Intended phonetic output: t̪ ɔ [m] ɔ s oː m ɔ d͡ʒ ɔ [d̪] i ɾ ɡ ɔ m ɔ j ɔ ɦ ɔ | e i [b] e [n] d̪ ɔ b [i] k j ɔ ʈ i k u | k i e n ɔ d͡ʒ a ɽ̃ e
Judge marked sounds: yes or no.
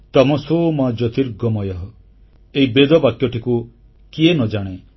yes, no, yes, no, no

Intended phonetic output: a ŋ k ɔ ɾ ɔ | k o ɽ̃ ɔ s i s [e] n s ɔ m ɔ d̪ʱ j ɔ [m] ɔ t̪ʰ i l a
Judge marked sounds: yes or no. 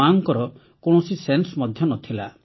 yes, no

